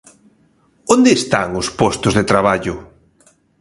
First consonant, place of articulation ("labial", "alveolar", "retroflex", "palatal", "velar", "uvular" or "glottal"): alveolar